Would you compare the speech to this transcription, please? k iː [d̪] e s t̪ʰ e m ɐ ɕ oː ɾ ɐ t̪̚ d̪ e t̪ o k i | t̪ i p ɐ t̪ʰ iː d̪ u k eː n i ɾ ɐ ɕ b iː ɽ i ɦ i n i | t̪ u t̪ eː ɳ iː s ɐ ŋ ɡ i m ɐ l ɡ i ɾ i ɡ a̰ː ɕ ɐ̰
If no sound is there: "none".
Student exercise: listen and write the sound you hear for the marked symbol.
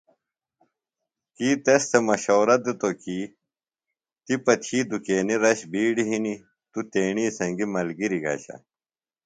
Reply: t̪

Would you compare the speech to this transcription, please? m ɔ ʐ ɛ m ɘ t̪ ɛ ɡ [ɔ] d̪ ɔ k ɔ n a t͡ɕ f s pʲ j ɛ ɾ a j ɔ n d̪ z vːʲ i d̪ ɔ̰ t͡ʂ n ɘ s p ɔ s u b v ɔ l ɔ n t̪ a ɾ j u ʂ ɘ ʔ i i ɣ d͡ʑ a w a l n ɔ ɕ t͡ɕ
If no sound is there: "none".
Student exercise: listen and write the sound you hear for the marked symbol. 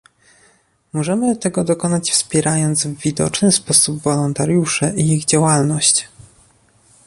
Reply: ɔ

